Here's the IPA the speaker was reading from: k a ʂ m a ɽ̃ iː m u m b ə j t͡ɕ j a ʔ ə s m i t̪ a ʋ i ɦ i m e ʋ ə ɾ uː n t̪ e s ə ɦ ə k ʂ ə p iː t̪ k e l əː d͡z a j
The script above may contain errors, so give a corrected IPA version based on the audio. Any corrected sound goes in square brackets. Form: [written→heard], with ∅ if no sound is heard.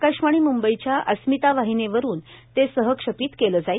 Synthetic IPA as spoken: k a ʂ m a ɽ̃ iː m u m b ə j t͡ɕ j a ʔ ə s m i t̪ a ʋ [i→a] ɦ i [m→n] e ʋ ə ɾ uː n t̪ e s ə ɦ ə k ʂ ə p iː t̪ k e l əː d͡z a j

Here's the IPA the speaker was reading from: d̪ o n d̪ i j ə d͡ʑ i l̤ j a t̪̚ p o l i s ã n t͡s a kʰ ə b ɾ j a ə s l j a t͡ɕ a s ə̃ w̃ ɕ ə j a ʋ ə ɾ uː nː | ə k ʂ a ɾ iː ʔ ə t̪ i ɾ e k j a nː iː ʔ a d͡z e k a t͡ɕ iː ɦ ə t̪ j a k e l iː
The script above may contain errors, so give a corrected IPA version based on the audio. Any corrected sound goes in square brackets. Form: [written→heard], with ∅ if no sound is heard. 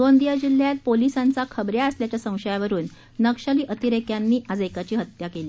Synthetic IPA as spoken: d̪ o n d̪ i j [ə→a] d͡ʑ i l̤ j a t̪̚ p o l i s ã n t͡s a kʰ ə b ɾ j a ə s l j a t͡ɕ a s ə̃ w̃ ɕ ə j a ʋ ə ɾ uː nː | ə k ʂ a [ɾ→l] iː ʔ ə t̪ i ɾ e k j a nː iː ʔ a d͡z e k a t͡ɕ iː ɦ ə t̪ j a k e l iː

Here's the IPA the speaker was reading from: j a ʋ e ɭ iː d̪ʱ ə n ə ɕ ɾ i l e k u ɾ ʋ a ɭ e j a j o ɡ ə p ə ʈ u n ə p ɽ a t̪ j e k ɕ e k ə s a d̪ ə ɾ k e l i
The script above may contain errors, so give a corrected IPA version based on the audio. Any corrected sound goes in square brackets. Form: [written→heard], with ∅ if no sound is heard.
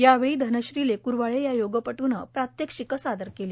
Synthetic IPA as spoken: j a ʋ e ɭ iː d̪ʱ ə n ə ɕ ɾ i l e k u ɾ ʋ a ɭ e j a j o ɡ ə p ə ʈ u n ə p [ɽ→ɾ] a t̪ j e k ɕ [e→i] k ə s a d̪ ə ɾ k e l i

